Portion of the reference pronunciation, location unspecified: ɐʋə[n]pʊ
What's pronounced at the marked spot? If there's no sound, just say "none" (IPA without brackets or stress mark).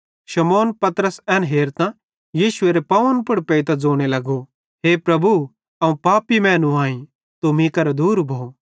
n